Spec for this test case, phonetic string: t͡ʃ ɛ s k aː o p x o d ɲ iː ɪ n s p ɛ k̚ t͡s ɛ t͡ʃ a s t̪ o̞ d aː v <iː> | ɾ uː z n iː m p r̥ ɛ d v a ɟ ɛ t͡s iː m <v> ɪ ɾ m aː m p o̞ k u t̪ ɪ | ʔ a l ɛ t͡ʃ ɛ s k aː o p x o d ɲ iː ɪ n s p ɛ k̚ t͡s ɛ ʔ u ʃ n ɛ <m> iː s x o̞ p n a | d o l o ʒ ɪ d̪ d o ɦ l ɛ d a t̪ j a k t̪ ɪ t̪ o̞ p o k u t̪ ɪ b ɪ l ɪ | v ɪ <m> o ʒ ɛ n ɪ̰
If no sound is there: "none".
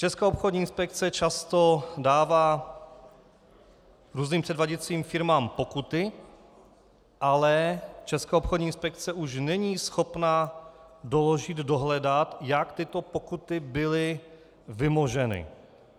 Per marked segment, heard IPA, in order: aː, f, ɲ, m

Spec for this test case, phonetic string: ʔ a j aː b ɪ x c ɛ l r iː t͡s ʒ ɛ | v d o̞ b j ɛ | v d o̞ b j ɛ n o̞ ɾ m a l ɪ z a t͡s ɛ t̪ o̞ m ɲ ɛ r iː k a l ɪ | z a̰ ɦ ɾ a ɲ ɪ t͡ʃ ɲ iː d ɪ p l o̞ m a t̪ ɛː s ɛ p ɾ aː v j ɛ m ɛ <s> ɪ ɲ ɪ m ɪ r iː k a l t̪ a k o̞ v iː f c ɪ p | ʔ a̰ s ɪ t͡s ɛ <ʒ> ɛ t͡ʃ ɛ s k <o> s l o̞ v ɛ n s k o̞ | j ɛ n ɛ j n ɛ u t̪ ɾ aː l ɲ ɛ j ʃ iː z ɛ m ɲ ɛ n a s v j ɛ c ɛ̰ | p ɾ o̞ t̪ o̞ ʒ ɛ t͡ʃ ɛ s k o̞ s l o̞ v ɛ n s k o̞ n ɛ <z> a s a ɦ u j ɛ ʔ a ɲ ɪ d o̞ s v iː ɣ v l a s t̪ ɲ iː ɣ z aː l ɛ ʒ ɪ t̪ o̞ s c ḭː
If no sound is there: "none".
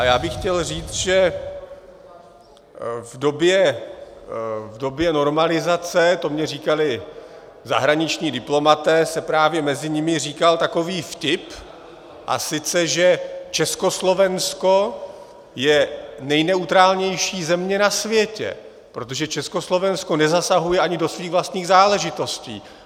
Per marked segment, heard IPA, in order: z, ʒ, o, z

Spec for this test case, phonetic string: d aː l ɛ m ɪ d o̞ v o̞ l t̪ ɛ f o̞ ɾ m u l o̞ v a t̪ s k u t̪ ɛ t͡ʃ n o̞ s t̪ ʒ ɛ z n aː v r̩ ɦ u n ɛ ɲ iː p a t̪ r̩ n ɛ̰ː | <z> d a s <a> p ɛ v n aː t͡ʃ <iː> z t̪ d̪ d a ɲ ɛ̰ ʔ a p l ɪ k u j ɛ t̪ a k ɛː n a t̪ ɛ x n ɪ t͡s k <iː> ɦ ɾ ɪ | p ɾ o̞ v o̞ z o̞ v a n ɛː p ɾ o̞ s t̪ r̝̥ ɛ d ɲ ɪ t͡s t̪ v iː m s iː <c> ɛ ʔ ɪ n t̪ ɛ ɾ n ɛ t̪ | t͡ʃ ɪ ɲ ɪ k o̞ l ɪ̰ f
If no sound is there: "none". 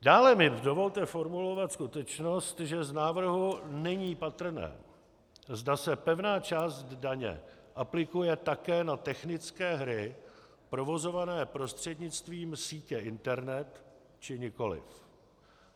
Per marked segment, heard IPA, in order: z, ɛ, aː, ɛː, c

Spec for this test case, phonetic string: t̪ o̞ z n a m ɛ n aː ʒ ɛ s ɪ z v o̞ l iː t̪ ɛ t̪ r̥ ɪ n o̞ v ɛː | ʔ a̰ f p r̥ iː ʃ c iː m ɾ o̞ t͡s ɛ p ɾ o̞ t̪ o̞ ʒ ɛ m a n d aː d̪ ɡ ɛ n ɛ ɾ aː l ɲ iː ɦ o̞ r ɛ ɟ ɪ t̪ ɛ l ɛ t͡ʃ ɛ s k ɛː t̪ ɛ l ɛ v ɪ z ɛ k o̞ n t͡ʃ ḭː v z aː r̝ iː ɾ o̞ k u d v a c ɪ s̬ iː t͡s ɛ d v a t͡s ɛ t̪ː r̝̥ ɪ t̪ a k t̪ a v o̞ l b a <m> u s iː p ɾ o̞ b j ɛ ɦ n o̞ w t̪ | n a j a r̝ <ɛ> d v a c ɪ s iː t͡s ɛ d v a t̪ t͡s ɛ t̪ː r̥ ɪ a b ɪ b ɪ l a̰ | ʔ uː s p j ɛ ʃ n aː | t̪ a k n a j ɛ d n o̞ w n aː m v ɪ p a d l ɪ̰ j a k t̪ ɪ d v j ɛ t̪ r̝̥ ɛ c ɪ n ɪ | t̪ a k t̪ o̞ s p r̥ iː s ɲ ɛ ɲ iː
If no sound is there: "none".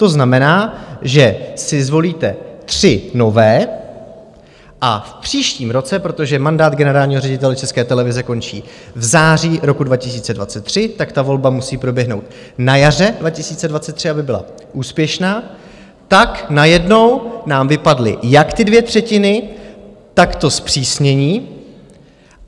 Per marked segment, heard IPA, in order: m, ɛ

